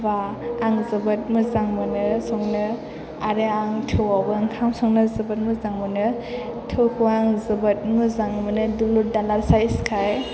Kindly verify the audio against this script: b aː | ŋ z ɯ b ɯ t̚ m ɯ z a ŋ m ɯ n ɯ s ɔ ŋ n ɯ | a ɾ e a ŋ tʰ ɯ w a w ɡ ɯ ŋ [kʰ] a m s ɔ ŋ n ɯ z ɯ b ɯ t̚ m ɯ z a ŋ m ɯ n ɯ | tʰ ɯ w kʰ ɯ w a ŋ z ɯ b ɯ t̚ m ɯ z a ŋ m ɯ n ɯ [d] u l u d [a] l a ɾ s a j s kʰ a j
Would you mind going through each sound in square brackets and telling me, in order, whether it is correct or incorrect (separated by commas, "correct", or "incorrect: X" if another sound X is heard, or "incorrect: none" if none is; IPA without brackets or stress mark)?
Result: correct, correct, correct